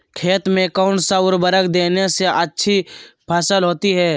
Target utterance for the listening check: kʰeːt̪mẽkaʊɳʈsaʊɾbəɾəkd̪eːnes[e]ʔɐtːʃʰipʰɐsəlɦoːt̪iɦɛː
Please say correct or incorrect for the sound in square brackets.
correct